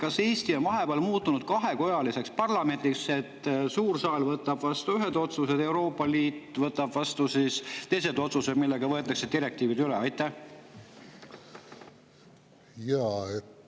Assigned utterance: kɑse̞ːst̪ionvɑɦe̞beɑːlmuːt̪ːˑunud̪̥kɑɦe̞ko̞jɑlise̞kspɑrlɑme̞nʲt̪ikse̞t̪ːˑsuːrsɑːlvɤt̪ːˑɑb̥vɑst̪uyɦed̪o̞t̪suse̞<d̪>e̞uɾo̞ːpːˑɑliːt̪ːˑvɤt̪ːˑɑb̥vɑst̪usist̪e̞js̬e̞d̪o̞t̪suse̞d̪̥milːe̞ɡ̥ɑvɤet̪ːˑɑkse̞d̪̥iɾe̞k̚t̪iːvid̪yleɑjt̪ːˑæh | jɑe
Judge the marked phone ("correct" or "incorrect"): correct